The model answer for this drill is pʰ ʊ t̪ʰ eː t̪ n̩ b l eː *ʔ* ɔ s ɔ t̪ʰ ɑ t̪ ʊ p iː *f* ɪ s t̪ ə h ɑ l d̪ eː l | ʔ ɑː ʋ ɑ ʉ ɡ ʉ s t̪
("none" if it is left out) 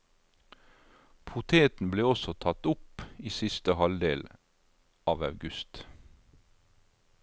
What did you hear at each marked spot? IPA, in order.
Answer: none, s

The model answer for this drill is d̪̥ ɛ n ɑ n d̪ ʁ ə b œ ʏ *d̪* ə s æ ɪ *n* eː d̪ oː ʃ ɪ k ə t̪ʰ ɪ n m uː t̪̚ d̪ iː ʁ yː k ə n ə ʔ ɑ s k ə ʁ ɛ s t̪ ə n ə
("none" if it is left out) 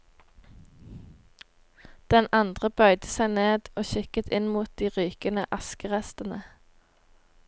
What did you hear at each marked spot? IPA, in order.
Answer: d̪, n

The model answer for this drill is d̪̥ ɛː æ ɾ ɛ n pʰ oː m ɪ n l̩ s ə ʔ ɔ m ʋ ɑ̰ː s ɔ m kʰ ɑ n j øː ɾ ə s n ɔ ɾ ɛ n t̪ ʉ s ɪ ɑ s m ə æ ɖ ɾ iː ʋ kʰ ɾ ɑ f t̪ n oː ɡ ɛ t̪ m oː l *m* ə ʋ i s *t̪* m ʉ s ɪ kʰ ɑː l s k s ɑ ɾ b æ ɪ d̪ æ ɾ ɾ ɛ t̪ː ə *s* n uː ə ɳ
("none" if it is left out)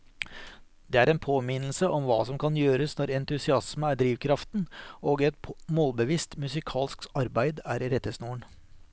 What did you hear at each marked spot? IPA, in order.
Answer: b, t̪, s

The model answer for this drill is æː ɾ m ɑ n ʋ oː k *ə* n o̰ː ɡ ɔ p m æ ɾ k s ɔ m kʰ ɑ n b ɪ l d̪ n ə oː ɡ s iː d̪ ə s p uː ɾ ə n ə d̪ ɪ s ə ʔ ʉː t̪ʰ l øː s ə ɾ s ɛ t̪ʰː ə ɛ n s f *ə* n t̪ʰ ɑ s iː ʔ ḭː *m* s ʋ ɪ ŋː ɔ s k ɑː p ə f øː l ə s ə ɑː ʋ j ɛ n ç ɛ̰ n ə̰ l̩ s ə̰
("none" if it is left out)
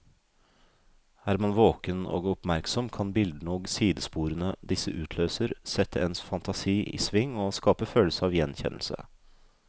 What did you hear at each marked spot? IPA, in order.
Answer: ə, ɑ, none

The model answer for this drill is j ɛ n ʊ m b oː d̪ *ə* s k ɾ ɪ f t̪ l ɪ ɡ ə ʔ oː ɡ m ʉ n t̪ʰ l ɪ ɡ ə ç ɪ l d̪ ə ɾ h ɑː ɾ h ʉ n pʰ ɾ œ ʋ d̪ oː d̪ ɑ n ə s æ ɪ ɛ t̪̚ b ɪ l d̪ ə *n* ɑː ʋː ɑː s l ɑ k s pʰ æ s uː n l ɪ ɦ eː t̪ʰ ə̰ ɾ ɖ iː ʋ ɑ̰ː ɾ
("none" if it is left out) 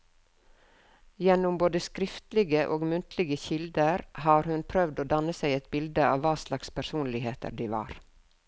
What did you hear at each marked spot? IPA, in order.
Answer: ə, none

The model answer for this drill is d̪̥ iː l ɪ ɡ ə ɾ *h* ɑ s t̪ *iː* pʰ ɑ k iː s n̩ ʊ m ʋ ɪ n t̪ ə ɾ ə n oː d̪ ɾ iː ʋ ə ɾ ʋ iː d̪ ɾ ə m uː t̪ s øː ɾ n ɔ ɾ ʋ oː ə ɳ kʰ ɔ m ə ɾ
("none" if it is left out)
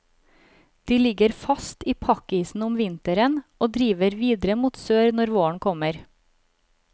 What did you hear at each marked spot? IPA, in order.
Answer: f, iː

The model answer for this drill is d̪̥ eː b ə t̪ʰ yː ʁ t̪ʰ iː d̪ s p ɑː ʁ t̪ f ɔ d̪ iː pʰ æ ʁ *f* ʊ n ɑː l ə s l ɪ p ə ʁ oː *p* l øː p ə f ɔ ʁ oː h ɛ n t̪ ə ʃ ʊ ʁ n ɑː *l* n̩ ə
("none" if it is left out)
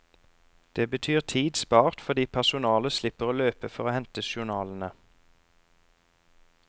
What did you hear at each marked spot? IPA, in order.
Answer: s, none, l

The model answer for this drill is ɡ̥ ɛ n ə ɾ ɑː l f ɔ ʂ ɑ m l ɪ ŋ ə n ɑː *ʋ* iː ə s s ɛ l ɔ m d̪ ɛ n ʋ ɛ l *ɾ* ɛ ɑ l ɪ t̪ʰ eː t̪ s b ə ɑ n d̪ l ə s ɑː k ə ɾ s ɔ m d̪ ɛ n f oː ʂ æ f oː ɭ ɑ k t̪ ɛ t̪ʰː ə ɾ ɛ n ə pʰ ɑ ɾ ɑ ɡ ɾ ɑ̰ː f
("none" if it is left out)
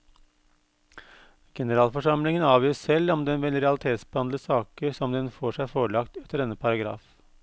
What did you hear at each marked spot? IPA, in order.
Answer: ʋ, ɾ

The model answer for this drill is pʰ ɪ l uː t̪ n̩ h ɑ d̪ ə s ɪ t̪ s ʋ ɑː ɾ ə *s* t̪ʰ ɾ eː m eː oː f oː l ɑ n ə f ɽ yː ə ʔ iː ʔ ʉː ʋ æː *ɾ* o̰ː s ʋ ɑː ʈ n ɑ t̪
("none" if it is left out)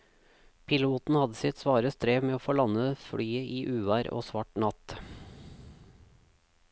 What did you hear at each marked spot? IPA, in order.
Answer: s, ɾ

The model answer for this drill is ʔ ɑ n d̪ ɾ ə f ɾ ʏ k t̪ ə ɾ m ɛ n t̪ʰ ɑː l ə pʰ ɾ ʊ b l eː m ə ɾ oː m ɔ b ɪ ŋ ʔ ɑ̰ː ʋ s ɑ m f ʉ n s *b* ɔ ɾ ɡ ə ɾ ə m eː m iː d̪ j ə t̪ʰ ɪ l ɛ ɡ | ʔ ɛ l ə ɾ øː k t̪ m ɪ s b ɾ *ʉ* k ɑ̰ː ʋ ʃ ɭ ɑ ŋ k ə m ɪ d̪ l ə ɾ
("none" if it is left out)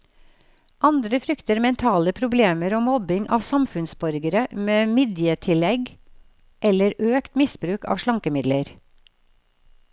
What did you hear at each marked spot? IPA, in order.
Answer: b, ʉː

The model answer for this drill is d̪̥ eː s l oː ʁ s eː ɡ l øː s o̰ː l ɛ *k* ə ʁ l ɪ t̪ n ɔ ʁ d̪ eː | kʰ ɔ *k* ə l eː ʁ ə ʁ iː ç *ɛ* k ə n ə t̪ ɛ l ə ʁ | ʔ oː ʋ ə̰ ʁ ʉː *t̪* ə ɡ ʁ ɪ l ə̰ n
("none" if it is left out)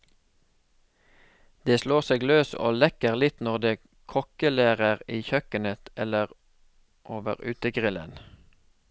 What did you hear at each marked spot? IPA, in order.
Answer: k, k, œ, t̪

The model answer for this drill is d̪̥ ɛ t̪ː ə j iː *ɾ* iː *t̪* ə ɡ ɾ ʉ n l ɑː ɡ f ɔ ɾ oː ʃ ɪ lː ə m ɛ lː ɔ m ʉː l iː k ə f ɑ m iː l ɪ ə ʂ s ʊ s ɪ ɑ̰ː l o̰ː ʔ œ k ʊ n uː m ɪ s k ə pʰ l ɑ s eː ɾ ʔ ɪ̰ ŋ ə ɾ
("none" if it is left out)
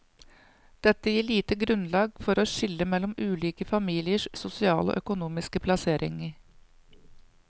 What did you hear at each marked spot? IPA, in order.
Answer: ɭ, t̪

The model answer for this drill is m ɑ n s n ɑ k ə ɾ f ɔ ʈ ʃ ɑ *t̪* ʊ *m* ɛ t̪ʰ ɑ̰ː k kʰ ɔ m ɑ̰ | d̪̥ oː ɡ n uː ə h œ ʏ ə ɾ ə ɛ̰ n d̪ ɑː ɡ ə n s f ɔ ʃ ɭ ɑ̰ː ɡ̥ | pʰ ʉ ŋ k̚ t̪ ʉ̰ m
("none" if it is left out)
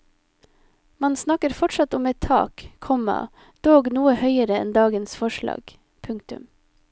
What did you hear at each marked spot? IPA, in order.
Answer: t̪, m

